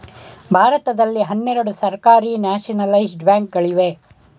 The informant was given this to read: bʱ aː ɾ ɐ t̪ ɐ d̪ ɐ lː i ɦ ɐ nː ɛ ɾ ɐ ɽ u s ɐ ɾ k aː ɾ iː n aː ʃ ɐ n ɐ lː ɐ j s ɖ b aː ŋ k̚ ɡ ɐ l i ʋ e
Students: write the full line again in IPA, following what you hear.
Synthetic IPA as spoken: bʱ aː ɾ ɐ t̪ ɐ d̪ ɐ lː i ɦ ɐ nː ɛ ɾ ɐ ɽ u s ɐ ɾ k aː ɾ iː n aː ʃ ɐ n ɐ l ɐ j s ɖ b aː ŋ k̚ ɡ ɐ ɭ i ʋ e